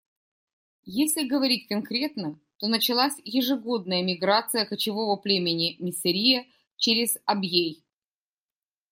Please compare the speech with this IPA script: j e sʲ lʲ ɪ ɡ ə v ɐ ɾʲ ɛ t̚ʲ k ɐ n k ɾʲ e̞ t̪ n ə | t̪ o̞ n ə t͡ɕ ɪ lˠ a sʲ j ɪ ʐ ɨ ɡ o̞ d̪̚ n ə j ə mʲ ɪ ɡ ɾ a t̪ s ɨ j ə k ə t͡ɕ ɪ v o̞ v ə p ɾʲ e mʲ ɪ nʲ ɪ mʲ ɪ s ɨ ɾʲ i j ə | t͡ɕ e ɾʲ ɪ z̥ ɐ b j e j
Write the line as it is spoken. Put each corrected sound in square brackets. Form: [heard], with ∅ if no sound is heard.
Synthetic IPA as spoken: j e sʲ lʲ ɪ ɡ ə v ɐ ɾʲ [i] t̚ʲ k ɐ n k ɾʲ e̞ t̪ n ə | t̪ o̞ n ə t͡ɕ ɪ lˠ a sʲ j ɪ ʐ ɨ ɡ o̞ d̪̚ n ə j ə mʲ ɪ ɡ ɾ a t̪ s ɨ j ə k ə t͡ɕ ɪ v o̞ v ə p [lʲ] e mʲ ɪ nʲ ɪ mʲ ɪ s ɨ ɾʲ i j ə | t͡ɕ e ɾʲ ɪ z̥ ɐ b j e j